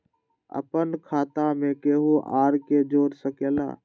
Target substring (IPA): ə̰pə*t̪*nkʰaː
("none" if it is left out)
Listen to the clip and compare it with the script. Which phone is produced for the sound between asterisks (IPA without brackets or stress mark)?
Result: none